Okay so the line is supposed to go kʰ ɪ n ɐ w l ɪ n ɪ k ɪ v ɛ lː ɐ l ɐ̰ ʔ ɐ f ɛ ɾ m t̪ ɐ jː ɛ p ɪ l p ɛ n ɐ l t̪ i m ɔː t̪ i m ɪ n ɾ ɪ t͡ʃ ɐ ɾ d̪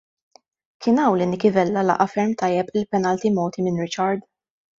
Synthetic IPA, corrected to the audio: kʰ ɪ n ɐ w l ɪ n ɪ k ɪ v ɛ lː ɐ l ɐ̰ ʔ ɐ f ɛ ɾ m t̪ ɐ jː ɛ p ɪ l p ɛ n ɐ l t̪ i m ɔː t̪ i m ɪ n ɾ ɪ t͡ʃ ɐ ɾ d̪